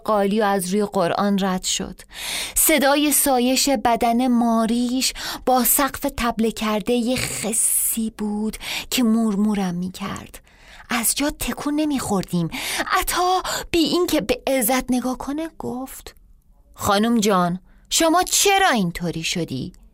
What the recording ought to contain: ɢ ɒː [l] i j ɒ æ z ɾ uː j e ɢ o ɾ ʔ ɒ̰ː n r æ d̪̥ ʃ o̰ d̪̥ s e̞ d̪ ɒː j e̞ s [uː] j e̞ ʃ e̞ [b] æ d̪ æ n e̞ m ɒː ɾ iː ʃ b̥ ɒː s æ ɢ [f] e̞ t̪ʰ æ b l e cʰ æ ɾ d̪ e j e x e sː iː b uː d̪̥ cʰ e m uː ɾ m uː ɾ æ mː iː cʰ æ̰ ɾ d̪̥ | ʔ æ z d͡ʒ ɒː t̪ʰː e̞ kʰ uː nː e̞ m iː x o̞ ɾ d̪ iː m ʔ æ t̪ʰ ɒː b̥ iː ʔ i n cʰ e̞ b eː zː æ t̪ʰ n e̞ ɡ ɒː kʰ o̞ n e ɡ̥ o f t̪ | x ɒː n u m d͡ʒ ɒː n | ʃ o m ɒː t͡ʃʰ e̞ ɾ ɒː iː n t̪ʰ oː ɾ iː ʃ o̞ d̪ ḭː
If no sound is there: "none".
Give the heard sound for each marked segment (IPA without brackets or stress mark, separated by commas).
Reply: l, ɒː, b, f